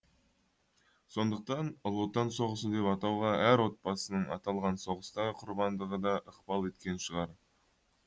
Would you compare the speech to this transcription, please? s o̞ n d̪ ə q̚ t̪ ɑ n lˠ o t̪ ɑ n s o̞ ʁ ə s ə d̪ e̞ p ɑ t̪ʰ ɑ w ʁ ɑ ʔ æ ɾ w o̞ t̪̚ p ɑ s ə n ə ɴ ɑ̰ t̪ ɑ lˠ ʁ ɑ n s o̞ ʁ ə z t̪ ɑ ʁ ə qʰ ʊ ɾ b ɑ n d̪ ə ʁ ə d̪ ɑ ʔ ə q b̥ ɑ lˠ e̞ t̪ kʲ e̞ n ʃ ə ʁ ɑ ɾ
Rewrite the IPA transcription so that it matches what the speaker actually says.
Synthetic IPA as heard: s o̞ n d̪ ə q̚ t̪ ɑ n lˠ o t̪ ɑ n s o̞ ʁ ə s ə d̪ e̞ p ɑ t̪ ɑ w ʁ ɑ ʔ æ ɾ w o̞ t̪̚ p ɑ s ə n ə ɴ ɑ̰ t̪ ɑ lˠ ʁ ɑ n s o̞ ʁ ə s t̪ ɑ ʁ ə qʰ ʊ ɾ b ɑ n d̪ ə ʁ ə d̪ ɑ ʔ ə q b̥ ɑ lˠ e̞ t̪ kʲ e̞ n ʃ ə ʁ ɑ ɾ